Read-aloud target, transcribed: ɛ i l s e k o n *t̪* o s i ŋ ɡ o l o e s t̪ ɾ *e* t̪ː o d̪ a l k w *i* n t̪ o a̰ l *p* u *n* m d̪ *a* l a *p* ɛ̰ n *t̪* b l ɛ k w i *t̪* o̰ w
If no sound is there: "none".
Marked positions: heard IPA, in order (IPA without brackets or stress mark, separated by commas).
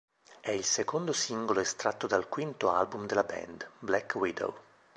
d̪, a, i, b, none, e, b, d̪, d̪